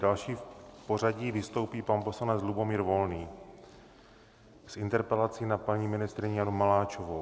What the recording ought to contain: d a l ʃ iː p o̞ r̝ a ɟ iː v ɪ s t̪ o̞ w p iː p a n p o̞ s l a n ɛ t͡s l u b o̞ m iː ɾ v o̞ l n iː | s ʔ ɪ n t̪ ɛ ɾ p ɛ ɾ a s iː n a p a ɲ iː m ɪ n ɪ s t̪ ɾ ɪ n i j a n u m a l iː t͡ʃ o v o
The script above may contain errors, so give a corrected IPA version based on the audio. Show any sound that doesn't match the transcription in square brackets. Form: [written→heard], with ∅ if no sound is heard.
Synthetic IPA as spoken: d a l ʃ iː p o̞ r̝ a ɟ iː v ɪ s t̪ o̞ w p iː p a n p o̞ s l a n ɛ t͡s l u b o̞ m iː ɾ v o̞ l n iː | s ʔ ɪ n t̪ ɛ ɾ p ɛ [ɾ→l] a [s→t͡s] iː n a p a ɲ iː m ɪ n ɪ s t̪ ɾ ɪ [n→ɲ] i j a n u m a l [iː→aː] t͡ʃ o v o